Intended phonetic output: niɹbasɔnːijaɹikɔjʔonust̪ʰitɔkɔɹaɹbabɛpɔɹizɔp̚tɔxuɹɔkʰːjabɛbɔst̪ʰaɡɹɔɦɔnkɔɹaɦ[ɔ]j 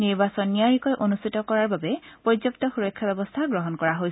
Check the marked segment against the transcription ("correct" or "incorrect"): incorrect